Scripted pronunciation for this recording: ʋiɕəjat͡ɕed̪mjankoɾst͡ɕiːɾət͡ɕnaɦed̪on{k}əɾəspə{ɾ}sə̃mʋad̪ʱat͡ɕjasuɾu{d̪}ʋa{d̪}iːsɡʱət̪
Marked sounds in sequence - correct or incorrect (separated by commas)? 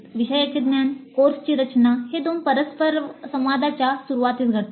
incorrect, correct, incorrect, incorrect